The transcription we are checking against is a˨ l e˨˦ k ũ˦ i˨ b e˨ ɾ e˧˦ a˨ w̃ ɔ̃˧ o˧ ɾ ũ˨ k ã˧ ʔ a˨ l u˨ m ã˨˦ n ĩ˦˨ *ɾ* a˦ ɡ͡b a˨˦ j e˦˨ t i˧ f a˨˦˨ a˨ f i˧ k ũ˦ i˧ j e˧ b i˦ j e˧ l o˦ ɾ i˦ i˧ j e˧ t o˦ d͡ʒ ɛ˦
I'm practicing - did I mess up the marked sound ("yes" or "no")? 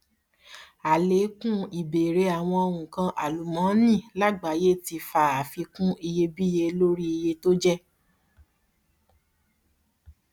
yes